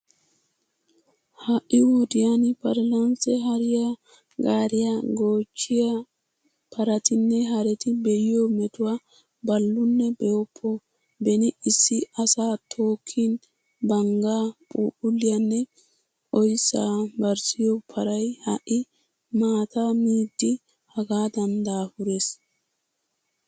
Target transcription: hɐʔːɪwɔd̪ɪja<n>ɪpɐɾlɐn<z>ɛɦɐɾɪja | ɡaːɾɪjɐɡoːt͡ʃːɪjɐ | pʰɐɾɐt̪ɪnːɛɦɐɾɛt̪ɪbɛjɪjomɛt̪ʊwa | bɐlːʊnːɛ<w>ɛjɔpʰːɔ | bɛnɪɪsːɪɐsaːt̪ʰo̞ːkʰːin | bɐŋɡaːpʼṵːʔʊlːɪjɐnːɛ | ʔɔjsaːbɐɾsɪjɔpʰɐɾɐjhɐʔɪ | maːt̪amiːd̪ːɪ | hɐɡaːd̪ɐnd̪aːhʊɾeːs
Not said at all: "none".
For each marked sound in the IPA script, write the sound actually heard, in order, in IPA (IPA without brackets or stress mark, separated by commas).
n, s, b